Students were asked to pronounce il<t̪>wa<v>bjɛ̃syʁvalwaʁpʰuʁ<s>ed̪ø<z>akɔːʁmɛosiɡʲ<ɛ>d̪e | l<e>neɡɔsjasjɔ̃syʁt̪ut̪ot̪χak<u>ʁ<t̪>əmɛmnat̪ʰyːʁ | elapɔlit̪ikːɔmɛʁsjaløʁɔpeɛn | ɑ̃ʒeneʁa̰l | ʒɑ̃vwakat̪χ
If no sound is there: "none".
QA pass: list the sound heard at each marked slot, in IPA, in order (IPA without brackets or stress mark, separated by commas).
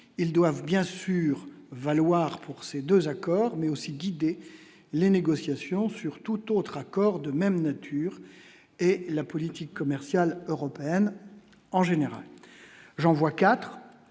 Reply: d̪, v, s, z, i, e, ɔ, d̪